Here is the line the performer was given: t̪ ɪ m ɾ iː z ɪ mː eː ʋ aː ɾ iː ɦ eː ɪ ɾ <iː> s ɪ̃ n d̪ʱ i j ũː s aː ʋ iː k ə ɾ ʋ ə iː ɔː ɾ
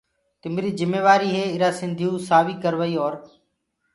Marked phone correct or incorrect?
incorrect: aː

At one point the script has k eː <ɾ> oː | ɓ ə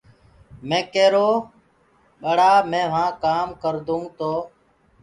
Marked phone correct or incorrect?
correct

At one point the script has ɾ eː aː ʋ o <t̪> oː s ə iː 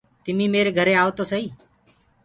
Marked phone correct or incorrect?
correct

